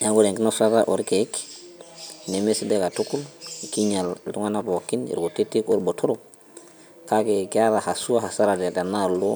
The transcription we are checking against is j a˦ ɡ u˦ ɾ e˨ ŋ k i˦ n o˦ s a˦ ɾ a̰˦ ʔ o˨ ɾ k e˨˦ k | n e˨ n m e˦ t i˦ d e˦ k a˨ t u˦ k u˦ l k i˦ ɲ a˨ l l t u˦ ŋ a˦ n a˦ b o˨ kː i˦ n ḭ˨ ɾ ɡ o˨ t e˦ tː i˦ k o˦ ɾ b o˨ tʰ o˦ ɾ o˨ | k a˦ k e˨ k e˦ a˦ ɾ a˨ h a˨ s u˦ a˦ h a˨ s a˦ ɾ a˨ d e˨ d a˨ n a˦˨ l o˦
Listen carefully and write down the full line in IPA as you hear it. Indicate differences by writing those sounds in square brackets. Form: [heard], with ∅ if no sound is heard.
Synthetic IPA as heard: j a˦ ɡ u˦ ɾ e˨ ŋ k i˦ n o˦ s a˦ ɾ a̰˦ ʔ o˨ ɾ k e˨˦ k | n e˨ [∅] m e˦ [s] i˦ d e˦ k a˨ t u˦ k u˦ l k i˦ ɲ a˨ l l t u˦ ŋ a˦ n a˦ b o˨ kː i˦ n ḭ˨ ɾ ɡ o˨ t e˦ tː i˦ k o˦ ɾ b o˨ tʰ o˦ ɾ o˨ | k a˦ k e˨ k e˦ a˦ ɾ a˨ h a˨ s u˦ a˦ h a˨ s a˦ ɾ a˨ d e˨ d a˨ n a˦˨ l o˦